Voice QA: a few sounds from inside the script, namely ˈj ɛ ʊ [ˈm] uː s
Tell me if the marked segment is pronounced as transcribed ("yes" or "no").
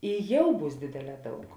no